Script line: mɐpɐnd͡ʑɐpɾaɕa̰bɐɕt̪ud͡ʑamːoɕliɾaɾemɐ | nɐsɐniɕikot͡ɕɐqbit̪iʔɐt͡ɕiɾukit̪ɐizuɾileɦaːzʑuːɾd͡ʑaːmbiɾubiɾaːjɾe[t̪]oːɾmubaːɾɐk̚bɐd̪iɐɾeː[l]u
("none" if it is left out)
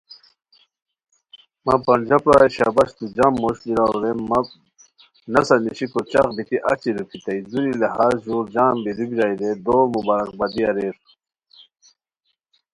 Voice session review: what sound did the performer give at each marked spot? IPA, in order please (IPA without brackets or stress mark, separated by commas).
d̪, ɾ